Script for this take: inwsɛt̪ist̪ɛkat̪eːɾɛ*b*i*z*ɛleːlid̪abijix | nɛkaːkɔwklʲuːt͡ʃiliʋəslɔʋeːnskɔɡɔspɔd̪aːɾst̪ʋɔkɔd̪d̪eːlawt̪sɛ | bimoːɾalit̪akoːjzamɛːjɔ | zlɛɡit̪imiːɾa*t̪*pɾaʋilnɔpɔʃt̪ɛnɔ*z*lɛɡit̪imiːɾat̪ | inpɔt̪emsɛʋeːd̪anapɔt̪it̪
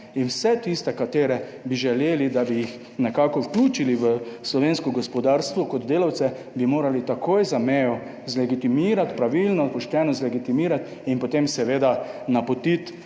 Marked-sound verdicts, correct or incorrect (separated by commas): correct, incorrect, correct, correct